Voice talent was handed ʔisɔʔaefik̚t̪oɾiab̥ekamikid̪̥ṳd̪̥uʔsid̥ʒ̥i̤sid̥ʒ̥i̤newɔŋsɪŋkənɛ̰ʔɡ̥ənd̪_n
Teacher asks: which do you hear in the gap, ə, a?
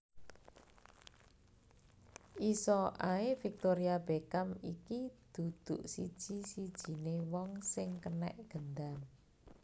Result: a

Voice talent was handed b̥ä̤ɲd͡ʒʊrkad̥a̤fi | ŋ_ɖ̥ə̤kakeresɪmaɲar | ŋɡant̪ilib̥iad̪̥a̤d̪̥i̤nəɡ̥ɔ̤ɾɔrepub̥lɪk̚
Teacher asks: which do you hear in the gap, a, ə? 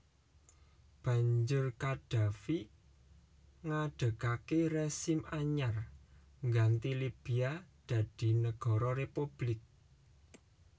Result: a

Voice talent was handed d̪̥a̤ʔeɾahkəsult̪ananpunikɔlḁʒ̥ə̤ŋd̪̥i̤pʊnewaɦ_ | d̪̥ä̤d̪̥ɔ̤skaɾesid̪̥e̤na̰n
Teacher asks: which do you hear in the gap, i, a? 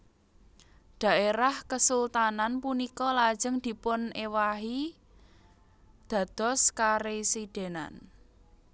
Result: i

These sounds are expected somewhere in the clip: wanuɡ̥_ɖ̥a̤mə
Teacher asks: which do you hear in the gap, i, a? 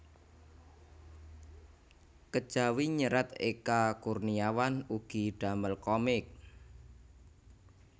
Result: i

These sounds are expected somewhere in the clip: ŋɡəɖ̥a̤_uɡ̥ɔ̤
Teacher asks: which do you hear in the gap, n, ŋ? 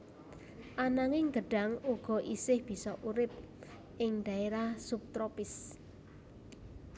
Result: ŋ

